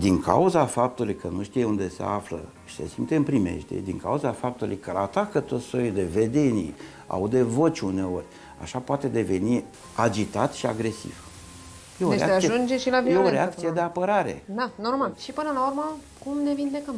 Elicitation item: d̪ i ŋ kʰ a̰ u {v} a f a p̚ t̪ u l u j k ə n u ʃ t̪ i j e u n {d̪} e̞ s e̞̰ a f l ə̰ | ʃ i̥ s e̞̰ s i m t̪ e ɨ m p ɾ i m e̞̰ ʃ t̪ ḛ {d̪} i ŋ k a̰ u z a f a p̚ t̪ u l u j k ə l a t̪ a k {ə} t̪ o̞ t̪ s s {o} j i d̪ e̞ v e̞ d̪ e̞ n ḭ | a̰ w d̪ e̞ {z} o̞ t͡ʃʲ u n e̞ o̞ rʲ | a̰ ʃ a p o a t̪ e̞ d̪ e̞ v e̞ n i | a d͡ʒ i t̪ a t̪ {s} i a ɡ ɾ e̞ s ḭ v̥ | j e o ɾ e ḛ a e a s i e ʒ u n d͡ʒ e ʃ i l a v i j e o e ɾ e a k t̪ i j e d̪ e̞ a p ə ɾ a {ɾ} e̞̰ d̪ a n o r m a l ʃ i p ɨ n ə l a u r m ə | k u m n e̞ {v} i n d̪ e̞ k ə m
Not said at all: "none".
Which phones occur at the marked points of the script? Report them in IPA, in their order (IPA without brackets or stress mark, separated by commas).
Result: z, d̪, d̪, ə, o, v, ʃ, ɾ, v